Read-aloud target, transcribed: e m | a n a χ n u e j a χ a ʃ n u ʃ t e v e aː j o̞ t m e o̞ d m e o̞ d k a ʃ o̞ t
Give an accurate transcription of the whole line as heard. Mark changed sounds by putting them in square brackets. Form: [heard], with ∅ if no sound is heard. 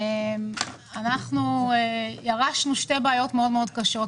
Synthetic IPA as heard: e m | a n a χ n u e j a [ʁ] a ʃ n u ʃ t e [b] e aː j o̞ t m e o̞ d m e o̞ d k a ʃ o̞ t

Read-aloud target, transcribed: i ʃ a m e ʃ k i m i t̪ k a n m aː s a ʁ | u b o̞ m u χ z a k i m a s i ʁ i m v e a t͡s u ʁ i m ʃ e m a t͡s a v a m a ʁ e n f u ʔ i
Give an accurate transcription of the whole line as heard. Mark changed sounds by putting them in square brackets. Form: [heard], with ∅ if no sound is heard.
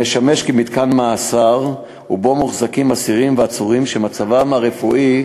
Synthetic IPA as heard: [e] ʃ a m e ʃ k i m i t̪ k a n m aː s a ʁ | u b o̞ m u χ z a k i m a s i ʁ i m v e a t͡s u ʁ i m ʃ e m a t͡s a v a m a ʁ e [∅] f u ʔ i

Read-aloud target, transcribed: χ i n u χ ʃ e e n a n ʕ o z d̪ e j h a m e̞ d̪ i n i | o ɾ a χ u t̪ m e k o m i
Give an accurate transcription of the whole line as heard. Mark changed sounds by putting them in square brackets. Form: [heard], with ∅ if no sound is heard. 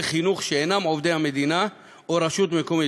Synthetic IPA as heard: χ i n u χ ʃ e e n a [m] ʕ o [v] d̪ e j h a m e̞ d̪ i n [a] | o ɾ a [ʃ] u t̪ m e k o m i

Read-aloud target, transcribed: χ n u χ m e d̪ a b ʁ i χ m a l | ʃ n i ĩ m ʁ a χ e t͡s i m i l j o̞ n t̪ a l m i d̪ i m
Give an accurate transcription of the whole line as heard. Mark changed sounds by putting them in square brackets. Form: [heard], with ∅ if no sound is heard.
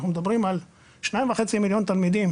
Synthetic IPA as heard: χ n u [∅] m e d̪ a b ʁ i [∅] m a l | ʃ n [a] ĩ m [v] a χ e t͡s i m i l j o̞ n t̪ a l m i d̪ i m

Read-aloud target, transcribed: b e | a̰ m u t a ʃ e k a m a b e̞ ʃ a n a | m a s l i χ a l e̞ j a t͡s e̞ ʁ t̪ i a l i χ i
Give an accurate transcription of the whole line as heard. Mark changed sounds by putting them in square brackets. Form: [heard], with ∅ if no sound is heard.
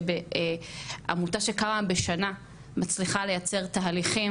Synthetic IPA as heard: b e | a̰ m u t a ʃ e k a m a b e̞ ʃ a n a | m a [t͡s] l i χ a l e̞ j a t͡s e̞ ʁ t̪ [a] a l i χ i

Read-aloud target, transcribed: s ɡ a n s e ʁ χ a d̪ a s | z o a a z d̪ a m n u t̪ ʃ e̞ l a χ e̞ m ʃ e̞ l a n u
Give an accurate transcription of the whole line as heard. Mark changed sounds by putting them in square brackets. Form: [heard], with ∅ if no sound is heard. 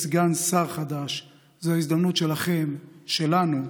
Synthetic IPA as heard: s ɡ a n s [a] ʁ χ a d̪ a [ʃ] | z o a [i] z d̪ a m n u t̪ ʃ e̞ l a χ e̞ m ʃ e̞ l a n u

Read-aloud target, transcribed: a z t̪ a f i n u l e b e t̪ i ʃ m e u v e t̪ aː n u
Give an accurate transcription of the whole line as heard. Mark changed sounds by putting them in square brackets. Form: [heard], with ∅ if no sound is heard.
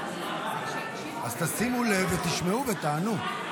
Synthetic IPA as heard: a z t̪ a [s] i [m] u l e [v] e t̪ i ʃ m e u v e t̪ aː n u

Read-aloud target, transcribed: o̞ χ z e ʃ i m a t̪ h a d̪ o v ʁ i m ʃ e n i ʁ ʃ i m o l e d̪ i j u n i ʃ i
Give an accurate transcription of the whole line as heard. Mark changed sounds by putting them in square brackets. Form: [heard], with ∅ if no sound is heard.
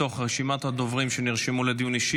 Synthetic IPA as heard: o̞ χ [ʁ] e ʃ i m a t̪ h a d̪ o v ʁ i m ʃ e n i ʁ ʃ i m [u] l e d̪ i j u n i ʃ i

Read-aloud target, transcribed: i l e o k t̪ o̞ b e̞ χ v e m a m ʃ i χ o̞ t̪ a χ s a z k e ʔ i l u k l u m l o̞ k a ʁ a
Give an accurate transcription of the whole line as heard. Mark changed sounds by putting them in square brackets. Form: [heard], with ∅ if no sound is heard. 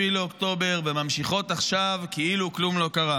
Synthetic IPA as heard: i l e o k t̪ o̞ b e̞ [ʁ] v e m a m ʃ i χ o̞ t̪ a χ [ʃ] a [v] k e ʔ i l u k l u m l o̞ k a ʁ a

